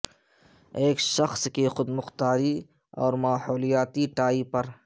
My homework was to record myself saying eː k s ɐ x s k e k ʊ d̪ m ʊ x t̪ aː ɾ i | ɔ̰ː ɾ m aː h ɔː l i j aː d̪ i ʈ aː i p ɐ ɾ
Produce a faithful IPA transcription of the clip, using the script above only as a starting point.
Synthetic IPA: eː k ʃ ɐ x s k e x ʊ d̪ m ʊ x t̪ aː ɾ i | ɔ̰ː ɾ m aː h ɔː l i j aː t̪ i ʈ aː i p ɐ ɾ

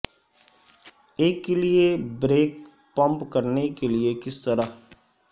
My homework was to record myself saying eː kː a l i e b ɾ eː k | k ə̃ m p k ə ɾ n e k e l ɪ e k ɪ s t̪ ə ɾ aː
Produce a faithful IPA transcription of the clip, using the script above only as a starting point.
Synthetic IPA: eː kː e l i e b ɾ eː k | p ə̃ m p k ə ɾ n e k e l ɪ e k ɪ s t̪ ə ɾ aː

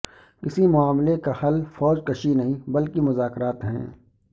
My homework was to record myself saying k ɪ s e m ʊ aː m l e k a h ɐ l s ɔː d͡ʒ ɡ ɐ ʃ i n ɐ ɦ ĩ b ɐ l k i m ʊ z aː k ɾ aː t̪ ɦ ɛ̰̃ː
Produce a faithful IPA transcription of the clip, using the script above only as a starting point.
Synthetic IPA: k ɪ s i m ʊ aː m l e k a h ɐ l f ɔː d͡ʒ k ɐ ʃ i n ɐ ɦ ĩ b ɐ l k i m ʊ z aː k ɾ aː t̪ ɦ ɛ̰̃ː

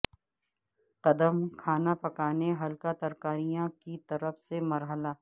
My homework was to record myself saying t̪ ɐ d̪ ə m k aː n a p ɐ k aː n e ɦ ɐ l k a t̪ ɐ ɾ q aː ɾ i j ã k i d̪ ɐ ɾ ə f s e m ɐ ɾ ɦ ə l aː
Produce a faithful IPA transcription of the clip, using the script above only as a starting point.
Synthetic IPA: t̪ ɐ d̪ ə m kʰ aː n a p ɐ k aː n e ɦ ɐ l k a t̪ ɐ ɾ k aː ɾ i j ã k i t̪ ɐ ɾ ə f s e m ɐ ɾ ɦ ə l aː

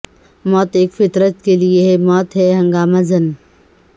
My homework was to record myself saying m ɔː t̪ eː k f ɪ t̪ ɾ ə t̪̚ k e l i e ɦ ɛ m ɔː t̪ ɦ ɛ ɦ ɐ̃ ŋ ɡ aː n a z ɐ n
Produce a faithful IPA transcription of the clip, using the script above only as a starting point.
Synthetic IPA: m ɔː t̪ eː k f ɪ t̪ ɾ ə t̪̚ k e l i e ɦ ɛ m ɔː t̪ ɦ ɛ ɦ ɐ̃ ŋ ɡ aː m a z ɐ n

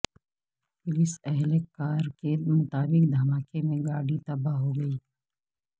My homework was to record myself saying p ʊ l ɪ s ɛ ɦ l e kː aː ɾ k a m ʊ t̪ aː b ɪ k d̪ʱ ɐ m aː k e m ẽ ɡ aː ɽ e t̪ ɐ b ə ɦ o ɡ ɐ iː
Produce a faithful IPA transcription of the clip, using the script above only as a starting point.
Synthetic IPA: p ʊ l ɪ s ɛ ɦ l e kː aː ɾ k e m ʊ t̪ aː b ɪ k d̪ʱ ɐ m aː k e m ẽ ɡ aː ɽ i t̪ ɐ b a ɦ o ɡ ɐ iː

